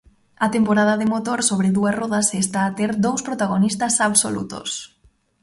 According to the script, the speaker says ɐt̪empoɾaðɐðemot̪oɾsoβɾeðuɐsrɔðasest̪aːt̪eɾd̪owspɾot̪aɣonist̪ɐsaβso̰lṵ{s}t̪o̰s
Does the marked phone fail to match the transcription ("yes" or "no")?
yes